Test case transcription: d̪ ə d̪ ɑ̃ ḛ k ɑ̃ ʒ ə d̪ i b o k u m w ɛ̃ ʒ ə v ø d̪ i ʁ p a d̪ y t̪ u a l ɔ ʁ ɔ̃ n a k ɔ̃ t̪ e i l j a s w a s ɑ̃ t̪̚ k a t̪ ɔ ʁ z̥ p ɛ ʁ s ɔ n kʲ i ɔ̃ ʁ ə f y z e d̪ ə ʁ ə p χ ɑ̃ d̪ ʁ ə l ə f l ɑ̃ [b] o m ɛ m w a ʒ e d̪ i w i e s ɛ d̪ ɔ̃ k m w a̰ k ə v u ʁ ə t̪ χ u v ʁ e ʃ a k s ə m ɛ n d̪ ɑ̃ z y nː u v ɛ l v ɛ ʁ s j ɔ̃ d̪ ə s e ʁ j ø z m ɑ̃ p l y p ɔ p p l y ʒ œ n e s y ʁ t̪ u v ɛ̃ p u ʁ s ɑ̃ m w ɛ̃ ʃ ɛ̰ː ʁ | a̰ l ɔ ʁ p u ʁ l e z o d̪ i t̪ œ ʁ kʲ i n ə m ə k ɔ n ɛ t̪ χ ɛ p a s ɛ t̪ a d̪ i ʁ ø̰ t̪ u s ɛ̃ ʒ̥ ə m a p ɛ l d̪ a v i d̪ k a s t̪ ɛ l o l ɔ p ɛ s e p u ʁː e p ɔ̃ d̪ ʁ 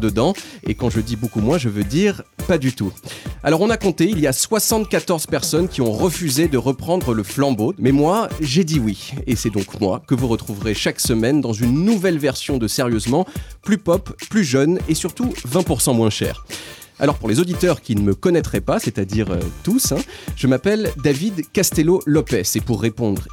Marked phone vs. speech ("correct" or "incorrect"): correct